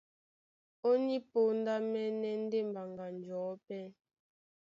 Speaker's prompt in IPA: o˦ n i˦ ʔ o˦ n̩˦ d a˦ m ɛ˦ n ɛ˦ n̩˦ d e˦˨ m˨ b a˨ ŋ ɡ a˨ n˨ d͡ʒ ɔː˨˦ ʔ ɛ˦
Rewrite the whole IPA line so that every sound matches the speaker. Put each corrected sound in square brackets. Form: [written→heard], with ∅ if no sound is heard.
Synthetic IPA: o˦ n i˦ [ʔ→p] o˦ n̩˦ d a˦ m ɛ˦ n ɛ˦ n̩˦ d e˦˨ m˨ b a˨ ŋ ɡ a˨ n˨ d͡ʒ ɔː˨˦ [ʔ→p] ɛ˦